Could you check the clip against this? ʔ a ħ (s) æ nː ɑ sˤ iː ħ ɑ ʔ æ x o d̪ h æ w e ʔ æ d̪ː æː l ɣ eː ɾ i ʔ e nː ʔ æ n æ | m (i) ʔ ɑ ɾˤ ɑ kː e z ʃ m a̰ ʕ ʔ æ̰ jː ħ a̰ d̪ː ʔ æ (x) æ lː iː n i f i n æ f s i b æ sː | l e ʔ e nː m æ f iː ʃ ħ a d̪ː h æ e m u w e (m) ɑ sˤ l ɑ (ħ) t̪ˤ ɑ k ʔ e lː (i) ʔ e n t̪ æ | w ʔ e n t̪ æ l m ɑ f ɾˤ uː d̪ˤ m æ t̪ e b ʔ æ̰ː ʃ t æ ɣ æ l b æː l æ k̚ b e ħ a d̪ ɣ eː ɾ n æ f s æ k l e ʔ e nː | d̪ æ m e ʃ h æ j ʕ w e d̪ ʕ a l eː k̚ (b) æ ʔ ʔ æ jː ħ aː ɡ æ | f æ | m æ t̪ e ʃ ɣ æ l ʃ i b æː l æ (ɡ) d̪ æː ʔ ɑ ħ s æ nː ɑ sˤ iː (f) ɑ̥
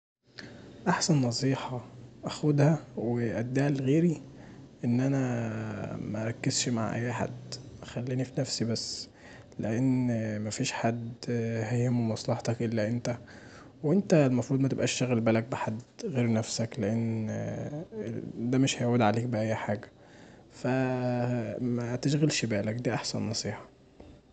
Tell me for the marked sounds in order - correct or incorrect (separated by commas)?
correct, incorrect, correct, correct, correct, incorrect, correct, incorrect, incorrect